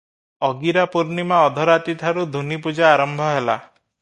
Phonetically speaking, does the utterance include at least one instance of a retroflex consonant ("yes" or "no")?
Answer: no